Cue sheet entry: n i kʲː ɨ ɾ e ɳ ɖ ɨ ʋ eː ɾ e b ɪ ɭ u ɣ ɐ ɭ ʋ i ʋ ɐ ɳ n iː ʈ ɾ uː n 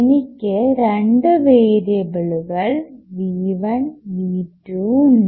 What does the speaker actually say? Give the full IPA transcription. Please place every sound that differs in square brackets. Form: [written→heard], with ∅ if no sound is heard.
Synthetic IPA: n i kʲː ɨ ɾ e ɳ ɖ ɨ ʋ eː ɾ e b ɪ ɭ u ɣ ɐ ɭ ʋ [i→iː] ʋ ɐ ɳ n iː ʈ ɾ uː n

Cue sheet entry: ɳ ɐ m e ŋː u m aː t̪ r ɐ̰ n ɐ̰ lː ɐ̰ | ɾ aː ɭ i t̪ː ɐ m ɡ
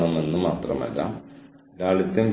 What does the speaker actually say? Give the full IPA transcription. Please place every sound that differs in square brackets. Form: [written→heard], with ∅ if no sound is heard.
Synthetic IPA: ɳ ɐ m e [ŋː→nː] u m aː t̪ r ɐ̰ [n→m] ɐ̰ lː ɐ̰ | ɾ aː ɭ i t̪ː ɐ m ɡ

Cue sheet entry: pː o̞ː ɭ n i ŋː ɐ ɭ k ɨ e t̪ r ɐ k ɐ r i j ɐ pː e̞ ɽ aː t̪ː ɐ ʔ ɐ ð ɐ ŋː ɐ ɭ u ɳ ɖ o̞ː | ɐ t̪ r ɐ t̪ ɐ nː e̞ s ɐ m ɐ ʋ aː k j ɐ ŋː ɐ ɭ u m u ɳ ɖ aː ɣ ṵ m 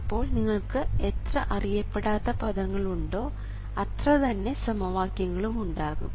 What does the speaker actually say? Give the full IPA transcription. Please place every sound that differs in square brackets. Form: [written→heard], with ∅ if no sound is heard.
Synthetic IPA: pː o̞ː ɭ n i ŋː ɐ ɭ k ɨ e t̪ r ɐ [k→ʔ] ɐ r i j ɐ pː e̞ ɽ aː t̪ː ɐ [ʔ→p] ɐ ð ɐ ŋː ɐ ɭ u ɳ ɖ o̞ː | ɐ t̪ r ɐ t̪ ɐ nː e̞ s ɐ m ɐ ʋ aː k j ɐ ŋː ɐ ɭ u m u ɳ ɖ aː ɣ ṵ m

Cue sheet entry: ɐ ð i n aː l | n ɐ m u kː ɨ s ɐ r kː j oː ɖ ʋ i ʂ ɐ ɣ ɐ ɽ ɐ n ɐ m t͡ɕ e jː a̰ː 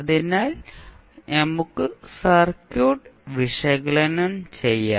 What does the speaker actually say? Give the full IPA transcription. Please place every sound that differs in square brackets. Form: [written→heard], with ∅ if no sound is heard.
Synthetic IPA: ɐ ð i n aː l | n ɐ m u kː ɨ s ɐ r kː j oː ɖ ʋ i ʂ ɐ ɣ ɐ [ɽ→ɭ] ɐ n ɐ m t͡ɕ e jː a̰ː

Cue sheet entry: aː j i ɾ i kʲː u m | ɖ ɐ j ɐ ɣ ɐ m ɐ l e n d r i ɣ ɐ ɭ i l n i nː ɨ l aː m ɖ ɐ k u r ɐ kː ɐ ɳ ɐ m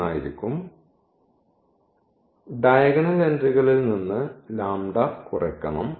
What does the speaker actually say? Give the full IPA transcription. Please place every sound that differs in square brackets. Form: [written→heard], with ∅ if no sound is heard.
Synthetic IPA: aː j i ɾ i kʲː u m | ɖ ɐ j ɐ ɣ ɐ [m→ɳ] ɐ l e n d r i ɣ ɐ ɭ i l n i nː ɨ l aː m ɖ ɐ k u r ɐ kː ɐ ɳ ɐ m

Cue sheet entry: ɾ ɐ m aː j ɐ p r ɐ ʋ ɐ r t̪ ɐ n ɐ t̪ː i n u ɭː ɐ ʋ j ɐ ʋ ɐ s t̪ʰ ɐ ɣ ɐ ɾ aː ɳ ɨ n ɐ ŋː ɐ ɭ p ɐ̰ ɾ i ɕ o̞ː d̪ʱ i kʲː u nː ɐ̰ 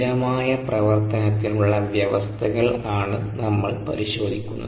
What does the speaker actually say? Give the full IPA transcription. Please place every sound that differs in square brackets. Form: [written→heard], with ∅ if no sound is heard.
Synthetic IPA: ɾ ɐ m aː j ɐ p r ɐ ʋ ɐ r t̪ ɐ n ɐ t̪ː i n u ɭː ɐ ʋ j ɐ ʋ ɐ s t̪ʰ ɐ ɣ ɐ [ɾ→ɭ] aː ɳ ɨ n ɐ [ŋː→mː] ɐ ɭ p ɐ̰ ɾ i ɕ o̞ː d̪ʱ i kʲː u nː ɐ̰

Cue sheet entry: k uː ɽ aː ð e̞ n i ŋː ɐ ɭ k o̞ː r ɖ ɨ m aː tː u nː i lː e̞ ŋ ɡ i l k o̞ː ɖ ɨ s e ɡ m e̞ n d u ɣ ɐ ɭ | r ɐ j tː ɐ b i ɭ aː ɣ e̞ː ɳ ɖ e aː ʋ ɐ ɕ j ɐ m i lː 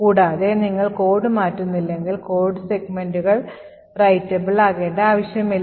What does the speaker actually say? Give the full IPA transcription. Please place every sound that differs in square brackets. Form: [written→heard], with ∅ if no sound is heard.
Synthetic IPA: k uː ɽ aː ð e̞ n i ŋː ɐ ɭ k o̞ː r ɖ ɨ m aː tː u nː i lː e̞ ŋ ɡ i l k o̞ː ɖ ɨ s e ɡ m e̞ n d u ɣ ɐ ɭ | r ɐ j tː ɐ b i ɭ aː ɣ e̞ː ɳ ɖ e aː ʋ ɐ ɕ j ɐ m i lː

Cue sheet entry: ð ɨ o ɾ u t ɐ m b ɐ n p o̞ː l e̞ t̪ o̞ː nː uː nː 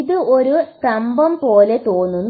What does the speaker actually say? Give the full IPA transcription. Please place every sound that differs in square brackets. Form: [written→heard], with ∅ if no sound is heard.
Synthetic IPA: ð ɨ o ɾ u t ɐ m b ɐ [n→m] p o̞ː l e̞ t̪ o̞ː nː [uː→u] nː

